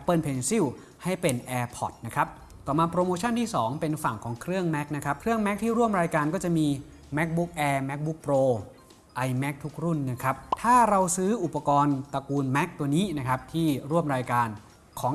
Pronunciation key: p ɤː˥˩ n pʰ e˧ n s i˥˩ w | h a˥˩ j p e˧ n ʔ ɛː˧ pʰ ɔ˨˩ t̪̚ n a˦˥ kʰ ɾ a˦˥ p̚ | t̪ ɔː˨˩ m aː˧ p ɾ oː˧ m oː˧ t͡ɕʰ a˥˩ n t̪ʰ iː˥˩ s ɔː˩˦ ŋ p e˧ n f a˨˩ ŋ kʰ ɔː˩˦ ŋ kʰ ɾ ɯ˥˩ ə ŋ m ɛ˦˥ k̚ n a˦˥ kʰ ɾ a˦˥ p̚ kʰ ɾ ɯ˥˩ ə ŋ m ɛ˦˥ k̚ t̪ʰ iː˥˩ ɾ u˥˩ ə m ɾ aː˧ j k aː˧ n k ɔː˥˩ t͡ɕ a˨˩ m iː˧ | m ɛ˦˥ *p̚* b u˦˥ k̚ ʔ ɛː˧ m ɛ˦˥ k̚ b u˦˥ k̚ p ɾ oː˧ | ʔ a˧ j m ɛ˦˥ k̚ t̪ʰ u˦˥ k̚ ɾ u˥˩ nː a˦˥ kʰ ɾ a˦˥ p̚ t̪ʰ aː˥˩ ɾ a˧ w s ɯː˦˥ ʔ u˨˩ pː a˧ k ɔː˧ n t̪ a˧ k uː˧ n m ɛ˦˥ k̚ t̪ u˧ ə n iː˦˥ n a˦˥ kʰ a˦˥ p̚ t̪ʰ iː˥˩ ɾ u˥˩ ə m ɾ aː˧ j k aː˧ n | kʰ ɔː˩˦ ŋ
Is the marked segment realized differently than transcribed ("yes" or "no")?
yes